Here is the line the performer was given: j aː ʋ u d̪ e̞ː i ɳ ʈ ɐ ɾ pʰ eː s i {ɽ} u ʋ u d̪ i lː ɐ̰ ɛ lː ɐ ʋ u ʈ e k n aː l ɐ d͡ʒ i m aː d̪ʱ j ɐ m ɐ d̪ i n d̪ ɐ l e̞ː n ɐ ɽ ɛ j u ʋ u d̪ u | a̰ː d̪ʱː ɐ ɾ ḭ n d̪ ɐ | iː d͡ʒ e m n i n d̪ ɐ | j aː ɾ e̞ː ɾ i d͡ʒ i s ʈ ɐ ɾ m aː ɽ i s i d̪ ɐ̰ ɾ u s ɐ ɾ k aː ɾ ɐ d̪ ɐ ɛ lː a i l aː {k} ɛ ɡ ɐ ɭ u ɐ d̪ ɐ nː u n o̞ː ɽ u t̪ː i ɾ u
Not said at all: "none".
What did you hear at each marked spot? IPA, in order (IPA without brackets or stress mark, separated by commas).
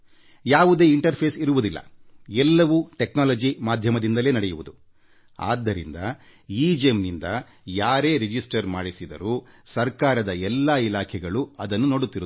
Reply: ɾ, kʰ